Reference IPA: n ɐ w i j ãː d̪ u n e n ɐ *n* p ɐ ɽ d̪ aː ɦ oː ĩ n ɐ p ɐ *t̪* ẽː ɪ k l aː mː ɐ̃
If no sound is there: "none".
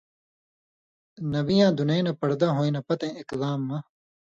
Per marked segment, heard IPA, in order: none, t̪

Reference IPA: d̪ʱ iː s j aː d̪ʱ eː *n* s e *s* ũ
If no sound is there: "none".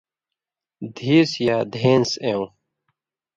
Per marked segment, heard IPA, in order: n, none

